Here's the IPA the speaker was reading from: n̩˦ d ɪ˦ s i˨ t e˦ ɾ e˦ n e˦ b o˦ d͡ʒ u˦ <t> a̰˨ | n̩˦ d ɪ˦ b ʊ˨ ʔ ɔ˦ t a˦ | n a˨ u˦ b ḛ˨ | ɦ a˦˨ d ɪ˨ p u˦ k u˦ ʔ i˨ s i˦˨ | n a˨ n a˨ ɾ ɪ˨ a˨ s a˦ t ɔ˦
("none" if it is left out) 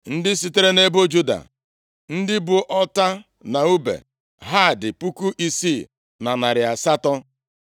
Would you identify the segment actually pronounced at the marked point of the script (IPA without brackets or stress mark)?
d